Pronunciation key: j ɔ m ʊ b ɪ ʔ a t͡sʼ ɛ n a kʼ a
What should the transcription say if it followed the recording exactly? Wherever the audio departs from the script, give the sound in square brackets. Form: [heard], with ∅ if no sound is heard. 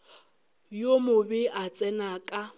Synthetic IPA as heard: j [o] m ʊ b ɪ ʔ a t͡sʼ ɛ n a kʼ a